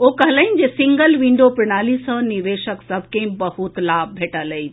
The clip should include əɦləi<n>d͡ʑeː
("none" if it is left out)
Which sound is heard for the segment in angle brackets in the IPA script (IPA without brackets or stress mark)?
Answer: n